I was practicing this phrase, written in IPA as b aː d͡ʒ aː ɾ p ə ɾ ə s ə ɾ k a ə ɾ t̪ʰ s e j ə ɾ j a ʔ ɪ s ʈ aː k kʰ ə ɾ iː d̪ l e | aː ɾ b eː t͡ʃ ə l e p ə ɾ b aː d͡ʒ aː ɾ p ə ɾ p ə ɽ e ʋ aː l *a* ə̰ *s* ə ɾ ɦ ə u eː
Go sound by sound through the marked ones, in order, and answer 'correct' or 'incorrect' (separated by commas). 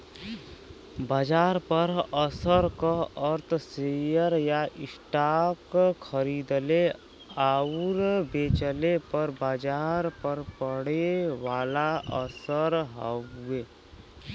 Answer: correct, correct